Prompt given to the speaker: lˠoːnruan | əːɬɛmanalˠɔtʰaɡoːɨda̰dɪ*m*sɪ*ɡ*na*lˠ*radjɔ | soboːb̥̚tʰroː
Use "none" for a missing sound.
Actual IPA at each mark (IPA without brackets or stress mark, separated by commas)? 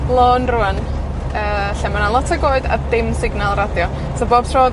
m, ɡ, lˠ